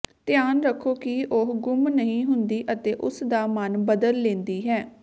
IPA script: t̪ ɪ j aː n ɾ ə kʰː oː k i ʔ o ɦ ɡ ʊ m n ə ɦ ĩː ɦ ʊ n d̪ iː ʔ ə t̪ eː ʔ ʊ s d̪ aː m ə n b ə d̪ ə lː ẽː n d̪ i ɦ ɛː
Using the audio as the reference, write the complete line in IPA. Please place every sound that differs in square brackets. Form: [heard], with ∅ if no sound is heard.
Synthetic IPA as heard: t̪ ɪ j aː n ɾ ə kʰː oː k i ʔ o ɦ ɡ ʊ m n ə ɦ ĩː ɦ ʊ n d̪ iː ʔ ə t̪ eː ʔ ʊ s d̪ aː m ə n b ə d̪ ə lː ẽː n d̪ [iː] ɦ ɛː